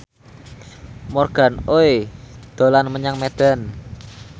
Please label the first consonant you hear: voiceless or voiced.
voiced